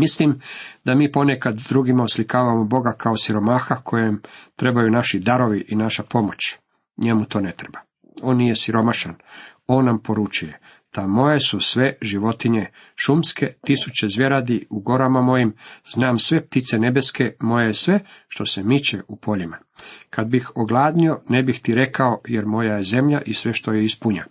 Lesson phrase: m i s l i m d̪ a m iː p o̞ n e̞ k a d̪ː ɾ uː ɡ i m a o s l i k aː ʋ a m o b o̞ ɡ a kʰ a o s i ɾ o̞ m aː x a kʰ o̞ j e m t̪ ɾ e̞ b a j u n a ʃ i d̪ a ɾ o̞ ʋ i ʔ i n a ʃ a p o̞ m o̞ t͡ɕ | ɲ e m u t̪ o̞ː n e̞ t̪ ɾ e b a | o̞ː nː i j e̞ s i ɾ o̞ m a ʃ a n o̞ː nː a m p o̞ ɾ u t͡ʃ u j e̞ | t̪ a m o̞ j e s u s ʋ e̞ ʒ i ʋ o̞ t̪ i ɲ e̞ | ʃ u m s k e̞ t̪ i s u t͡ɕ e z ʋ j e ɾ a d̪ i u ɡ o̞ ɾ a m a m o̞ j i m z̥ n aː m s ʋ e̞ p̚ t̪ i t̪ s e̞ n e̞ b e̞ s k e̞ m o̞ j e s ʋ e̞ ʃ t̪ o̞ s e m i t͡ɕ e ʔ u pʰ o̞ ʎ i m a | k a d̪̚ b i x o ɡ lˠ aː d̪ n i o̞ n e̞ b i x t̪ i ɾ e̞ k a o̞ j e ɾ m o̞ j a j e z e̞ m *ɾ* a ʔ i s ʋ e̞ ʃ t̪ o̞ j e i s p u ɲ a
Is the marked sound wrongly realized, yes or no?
yes